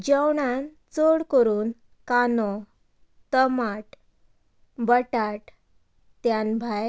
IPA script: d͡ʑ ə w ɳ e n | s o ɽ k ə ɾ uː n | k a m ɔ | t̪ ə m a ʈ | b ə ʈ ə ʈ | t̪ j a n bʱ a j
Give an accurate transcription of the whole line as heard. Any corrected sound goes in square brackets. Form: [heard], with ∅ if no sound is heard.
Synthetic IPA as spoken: d͡ʑ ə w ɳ [a] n | [t͡s] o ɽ k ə ɾ uː n | k a [n] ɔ | t̪ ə m a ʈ | b ə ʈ [a] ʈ | t̪ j a n bʱ a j